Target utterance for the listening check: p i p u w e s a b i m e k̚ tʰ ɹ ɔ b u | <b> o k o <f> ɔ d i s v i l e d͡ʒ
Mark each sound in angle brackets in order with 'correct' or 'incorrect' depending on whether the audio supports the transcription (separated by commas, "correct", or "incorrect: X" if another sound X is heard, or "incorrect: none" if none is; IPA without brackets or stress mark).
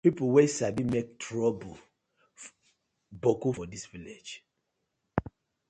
correct, correct